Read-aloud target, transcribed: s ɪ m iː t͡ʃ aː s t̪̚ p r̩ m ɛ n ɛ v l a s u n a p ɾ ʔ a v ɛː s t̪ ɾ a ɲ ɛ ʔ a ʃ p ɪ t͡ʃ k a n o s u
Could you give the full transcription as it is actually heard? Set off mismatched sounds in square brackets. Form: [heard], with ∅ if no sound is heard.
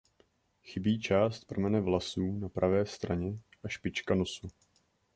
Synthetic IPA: [x] ɪ [b] iː t͡ʃ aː s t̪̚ p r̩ m ɛ n ɛ v l a s [uː] n a p ɾ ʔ a v ɛː s t̪ ɾ a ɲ ɛ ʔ a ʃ p ɪ t͡ʃ k a n o s u